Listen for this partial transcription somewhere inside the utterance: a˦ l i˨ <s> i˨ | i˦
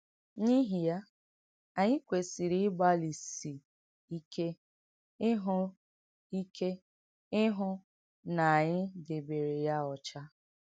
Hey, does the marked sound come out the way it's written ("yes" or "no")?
yes